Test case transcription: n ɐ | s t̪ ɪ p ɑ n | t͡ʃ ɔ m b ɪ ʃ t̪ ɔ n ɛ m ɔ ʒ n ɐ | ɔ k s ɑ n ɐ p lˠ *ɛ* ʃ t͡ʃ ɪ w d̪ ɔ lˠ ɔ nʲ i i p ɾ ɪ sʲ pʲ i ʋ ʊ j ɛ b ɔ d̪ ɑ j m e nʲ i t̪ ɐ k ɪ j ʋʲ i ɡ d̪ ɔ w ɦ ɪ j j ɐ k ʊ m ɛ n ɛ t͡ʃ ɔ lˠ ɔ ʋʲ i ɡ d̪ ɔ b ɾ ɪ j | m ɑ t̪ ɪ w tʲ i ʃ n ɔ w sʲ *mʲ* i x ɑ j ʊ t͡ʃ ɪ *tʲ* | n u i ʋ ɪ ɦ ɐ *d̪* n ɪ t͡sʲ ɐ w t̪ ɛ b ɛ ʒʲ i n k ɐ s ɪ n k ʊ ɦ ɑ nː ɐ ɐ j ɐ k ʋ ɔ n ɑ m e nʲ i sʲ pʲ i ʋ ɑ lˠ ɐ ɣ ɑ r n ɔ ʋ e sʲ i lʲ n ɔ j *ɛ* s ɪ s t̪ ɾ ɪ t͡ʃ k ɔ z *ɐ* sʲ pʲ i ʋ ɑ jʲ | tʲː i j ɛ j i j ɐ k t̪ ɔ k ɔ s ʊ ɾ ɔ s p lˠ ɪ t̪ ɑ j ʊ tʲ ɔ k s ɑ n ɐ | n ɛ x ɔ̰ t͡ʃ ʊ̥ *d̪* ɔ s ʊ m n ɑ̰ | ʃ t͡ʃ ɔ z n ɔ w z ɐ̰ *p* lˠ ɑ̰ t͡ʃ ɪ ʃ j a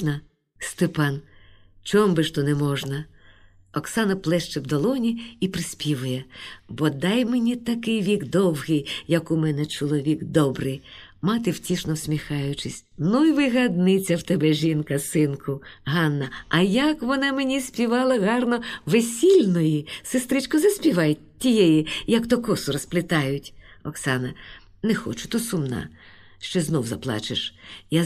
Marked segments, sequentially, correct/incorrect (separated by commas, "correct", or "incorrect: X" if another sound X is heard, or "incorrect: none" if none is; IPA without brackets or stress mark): correct, correct, incorrect: sʲ, correct, incorrect: i, correct, incorrect: t̪, correct